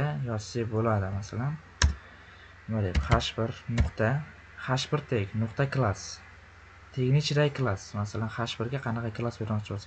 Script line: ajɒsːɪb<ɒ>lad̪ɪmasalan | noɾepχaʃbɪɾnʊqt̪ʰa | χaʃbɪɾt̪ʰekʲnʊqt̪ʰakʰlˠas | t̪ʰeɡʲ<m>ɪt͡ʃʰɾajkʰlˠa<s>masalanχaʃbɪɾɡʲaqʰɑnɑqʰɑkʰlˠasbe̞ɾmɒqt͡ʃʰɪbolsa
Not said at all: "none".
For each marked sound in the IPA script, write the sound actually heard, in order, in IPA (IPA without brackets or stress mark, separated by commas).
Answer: o, n, s